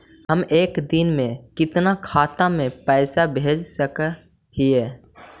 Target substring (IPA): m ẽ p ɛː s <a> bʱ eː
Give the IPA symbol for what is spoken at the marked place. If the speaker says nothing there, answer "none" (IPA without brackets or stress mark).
a